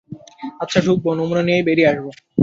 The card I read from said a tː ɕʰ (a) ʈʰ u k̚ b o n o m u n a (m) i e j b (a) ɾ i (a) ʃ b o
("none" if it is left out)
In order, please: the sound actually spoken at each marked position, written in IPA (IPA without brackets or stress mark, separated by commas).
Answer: a, n, e, a